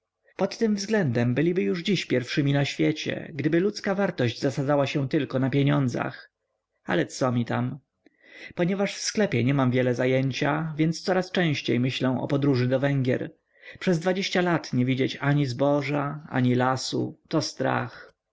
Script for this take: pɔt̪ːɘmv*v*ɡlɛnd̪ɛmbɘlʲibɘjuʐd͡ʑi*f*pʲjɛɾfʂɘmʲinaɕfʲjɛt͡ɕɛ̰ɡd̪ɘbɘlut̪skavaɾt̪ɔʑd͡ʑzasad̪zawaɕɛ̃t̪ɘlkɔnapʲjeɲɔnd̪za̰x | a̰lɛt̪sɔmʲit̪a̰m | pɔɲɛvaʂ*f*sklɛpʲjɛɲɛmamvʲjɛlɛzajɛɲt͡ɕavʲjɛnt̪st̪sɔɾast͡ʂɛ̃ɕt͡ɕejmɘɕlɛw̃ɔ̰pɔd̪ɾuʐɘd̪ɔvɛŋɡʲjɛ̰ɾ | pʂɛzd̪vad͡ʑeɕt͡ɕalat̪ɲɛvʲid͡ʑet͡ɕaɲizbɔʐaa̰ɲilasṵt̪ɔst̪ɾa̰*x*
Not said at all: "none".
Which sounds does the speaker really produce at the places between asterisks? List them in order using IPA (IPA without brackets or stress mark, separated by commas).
z, ɕ, f, x